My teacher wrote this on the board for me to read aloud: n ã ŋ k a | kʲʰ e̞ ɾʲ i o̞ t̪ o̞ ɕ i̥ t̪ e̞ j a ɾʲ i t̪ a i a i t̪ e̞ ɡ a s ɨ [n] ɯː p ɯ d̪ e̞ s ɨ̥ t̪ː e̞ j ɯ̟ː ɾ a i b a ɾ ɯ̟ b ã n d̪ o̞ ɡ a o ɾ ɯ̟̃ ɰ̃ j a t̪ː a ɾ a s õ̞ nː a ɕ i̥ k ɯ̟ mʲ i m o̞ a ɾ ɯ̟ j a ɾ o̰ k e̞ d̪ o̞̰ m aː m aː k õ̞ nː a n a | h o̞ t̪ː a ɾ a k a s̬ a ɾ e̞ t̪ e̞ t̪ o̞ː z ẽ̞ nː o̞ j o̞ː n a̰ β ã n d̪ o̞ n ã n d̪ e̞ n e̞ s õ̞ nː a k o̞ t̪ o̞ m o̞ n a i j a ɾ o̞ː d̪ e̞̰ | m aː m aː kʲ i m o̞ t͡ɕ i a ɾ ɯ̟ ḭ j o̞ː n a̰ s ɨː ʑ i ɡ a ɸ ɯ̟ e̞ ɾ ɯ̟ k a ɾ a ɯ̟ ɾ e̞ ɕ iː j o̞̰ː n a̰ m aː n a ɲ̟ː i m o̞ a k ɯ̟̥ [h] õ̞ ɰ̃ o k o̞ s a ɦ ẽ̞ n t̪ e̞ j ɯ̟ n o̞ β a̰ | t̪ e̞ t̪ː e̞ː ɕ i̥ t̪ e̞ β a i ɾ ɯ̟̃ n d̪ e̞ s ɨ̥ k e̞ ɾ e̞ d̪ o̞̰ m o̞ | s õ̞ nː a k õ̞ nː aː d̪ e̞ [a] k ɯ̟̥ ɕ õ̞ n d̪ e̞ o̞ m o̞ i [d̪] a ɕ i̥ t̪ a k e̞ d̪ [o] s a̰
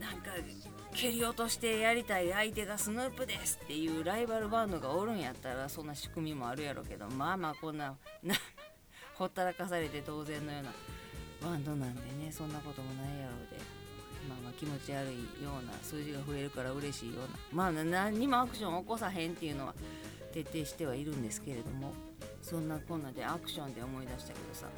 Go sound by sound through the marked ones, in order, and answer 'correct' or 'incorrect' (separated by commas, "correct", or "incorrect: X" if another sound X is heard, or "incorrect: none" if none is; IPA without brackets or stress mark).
correct, incorrect: ɕ, correct, correct, correct